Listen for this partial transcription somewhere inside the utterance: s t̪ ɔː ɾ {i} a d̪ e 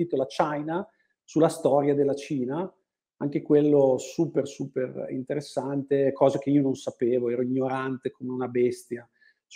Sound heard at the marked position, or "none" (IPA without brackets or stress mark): j